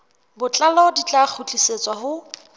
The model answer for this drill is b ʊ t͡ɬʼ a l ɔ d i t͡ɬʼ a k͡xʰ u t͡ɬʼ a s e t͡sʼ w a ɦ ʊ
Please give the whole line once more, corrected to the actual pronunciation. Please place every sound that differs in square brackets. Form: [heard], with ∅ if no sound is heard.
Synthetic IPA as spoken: b ʊ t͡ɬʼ a l ɔ d i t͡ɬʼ a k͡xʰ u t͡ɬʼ [i] s e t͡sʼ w a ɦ ʊ